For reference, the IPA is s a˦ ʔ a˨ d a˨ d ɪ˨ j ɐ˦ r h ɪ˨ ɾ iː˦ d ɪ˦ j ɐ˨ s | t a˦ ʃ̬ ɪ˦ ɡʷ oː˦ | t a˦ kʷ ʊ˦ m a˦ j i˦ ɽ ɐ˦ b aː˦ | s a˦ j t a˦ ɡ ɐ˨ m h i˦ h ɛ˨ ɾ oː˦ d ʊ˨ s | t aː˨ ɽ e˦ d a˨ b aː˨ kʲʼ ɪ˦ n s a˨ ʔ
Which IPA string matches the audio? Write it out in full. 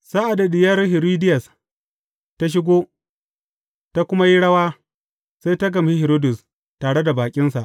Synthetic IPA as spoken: s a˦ ʔ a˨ d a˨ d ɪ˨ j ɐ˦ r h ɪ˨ ɾ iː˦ d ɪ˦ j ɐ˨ s | t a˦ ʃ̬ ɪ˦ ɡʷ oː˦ | t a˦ kʷ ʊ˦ m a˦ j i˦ ɽ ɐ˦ w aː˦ | s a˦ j t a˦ ɡ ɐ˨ m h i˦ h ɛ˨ ɾ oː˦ d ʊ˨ s | t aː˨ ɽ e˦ d a˨ b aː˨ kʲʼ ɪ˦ n s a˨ ʔ

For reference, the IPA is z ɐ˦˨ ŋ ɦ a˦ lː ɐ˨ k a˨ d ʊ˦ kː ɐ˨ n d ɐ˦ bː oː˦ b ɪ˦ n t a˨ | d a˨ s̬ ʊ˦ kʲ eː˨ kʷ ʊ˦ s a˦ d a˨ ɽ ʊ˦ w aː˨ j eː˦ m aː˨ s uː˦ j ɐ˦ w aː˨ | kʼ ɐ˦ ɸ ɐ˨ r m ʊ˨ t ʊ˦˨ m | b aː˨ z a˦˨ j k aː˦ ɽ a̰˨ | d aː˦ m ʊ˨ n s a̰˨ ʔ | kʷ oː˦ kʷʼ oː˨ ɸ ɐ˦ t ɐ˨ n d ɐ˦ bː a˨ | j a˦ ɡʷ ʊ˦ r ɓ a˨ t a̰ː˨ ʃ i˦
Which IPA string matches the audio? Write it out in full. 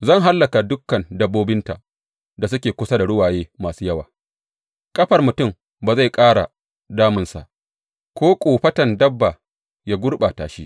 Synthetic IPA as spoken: z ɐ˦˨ ŋ ɦ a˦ lː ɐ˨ k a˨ d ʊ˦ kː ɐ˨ n d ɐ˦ bː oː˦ b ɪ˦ n t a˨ | d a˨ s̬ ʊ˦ kʲ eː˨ kʷ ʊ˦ s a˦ d a˨ ɽ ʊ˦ w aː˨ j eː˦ m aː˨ s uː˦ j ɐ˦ w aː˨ | kʼ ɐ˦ ɸ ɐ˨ r m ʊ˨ t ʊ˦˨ m | b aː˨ z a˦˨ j kʼ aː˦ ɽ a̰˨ | d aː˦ m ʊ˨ n s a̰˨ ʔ | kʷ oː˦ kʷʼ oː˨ ɸ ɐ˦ t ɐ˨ n d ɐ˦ bː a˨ | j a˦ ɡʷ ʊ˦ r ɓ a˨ t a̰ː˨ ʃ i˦

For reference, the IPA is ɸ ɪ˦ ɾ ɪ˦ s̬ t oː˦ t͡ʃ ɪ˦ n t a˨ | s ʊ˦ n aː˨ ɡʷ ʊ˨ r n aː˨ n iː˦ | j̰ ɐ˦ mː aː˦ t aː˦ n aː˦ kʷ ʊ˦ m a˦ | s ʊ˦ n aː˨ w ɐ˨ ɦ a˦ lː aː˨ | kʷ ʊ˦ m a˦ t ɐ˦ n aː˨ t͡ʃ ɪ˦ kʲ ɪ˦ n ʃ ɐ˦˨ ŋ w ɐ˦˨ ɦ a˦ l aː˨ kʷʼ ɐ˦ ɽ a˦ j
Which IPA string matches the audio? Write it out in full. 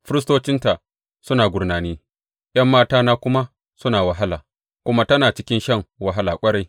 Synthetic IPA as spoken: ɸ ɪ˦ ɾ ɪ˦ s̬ t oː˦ t͡ʃ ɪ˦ n t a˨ | s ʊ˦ n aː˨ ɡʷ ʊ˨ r n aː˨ n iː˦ | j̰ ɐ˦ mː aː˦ t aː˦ n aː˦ kʷ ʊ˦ m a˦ | s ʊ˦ n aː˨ w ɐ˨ ɦ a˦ l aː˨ | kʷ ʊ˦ m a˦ t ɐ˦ n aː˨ t͡ʃ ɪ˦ kʲ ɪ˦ n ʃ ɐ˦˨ ŋ w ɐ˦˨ ɦ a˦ l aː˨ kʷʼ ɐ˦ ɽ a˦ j

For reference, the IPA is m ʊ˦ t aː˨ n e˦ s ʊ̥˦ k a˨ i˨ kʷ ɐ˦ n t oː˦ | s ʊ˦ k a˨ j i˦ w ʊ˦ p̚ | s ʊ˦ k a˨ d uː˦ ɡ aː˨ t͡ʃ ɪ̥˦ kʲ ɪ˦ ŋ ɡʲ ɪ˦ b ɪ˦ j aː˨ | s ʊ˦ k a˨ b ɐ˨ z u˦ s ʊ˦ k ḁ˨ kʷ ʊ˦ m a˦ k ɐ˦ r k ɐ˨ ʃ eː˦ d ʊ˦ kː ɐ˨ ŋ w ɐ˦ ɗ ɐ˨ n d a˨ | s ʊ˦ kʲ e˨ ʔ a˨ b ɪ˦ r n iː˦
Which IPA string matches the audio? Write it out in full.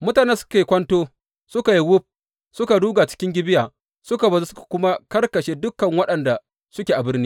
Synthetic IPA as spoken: m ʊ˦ t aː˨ n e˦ s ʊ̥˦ k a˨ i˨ kʷ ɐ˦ n t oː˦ | s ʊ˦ k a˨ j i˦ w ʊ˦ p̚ | s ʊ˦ k a˨ d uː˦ ɡ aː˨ t͡ʃ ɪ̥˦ kʲ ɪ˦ ŋ ɡʲ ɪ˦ b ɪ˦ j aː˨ | s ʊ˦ k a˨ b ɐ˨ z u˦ s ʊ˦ k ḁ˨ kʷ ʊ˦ m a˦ k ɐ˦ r k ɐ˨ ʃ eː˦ d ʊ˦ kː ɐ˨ ŋ w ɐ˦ ɗ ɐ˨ n d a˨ | s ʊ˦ kʲ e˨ ʔ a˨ b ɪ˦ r n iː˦

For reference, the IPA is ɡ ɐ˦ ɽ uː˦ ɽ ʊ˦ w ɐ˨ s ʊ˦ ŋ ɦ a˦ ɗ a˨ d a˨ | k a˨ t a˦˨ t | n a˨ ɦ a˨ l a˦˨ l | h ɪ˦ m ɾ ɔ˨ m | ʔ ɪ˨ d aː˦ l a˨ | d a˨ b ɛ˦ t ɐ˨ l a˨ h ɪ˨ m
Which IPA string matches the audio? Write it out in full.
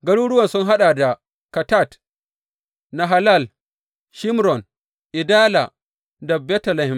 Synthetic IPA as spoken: ɡ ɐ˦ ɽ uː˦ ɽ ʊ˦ w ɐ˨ s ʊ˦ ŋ ɦ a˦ ɗ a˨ d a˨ | k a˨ t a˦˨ t | n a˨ ɦ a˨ l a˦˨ l | ʃ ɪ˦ m ɾ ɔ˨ n | ʔ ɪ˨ d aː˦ l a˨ | d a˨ b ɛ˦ t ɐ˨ l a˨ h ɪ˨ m

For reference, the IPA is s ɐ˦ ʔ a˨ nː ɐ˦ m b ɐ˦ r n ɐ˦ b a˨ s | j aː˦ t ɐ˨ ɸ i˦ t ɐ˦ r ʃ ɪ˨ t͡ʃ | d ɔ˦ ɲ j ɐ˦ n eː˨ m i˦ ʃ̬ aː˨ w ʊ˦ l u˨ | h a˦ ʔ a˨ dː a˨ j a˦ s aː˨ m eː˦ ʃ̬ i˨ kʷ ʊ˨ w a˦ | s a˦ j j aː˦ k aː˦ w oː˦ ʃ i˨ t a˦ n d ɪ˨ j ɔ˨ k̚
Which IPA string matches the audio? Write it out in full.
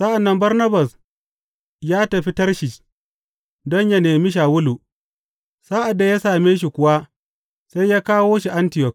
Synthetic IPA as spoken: s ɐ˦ ʔ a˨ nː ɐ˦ m b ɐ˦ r n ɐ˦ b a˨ s | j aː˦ t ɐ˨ ɸ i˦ t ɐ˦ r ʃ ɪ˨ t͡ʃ | d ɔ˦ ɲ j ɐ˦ n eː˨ m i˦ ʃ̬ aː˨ w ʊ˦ l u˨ | s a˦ ʔ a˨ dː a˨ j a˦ s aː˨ m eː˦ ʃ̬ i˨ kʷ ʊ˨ w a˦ | s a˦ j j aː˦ k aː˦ w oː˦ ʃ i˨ ʔ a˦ n t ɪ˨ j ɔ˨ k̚

